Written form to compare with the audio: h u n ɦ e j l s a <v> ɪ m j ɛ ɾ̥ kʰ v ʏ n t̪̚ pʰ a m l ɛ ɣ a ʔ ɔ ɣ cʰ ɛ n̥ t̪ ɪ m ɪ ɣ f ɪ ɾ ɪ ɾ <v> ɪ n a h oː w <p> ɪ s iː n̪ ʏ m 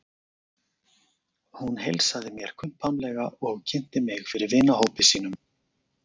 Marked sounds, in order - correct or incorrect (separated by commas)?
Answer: incorrect, correct, correct